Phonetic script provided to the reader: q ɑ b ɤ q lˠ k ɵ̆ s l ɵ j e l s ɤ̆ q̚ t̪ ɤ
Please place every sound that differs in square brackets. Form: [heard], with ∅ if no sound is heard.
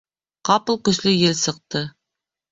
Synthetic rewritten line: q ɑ [p] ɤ [∅] lˠ k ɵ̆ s l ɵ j e l s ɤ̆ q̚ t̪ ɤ

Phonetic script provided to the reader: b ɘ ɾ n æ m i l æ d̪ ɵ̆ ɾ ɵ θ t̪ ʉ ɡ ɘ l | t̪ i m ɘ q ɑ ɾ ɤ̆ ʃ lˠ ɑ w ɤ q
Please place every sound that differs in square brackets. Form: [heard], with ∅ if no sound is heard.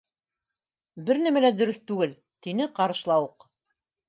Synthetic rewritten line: b ɘ ɾ n æ m [æ] l æ d̪ ɵ̆ ɾ ɵ θ t̪ ʉ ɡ ɘ l | t̪ i [n] ɘ q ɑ ɾ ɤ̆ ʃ lˠ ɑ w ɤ q

